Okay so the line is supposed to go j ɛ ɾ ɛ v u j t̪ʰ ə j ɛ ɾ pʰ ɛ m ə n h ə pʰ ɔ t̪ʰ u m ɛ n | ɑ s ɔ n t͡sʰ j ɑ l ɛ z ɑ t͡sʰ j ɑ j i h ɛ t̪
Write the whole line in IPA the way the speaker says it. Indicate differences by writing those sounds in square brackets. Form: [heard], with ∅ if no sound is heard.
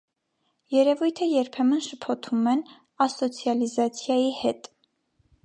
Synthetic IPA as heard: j ɛ ɾ ɛ v u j t̪ʰ ə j ɛ ɾ pʰ ɛ m ə n [ʃ] ə pʰ ɔ t̪ʰ u m ɛ n | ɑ s ɔ [∅] t͡sʰ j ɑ l [i] z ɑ t͡sʰ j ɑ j i h ɛ t̪